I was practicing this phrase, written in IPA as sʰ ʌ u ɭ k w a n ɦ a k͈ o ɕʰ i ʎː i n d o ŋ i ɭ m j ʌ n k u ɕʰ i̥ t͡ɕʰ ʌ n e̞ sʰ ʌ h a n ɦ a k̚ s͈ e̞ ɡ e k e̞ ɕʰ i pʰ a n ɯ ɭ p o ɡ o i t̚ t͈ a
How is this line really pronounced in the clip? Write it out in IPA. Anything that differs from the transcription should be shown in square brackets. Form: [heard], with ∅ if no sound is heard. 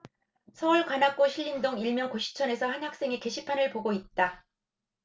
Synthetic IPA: sʰ ʌ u ɭ k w a n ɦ a k͈ o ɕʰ i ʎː i n d o ŋ i ɭ m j ʌ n k [o] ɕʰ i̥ t͡ɕʰ ʌ n e̞ sʰ ʌ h a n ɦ a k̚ s͈ e̞ [ŋ] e k e̞ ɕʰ i pʰ a n ɯ ɭ p o ɡ o i t̚ t͈ a